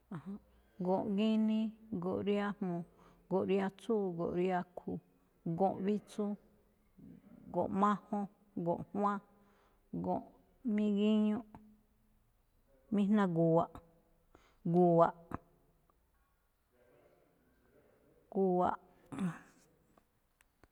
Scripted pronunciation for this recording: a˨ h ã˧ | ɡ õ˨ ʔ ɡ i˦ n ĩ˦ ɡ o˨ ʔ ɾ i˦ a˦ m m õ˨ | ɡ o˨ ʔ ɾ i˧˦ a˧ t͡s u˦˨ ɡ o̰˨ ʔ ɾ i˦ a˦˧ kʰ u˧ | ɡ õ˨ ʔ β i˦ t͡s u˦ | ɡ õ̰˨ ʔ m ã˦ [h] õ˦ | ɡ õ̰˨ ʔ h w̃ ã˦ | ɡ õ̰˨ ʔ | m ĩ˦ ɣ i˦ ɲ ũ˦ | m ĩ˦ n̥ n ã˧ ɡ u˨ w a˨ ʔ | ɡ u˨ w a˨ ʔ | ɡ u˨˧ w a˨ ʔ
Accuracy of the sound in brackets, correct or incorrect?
correct